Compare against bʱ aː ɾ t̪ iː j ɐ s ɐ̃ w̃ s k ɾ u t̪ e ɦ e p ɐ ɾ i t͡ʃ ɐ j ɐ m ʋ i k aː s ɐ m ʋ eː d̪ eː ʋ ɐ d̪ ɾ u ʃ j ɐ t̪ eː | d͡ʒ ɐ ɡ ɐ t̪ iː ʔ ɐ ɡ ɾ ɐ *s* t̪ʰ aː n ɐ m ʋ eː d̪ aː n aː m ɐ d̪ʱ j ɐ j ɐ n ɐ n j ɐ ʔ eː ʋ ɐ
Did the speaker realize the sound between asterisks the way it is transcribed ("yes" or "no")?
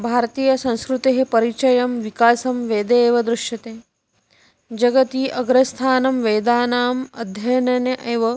yes